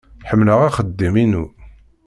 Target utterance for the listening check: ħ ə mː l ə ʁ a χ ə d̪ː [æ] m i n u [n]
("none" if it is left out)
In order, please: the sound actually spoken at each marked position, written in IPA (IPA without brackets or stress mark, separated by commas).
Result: i, none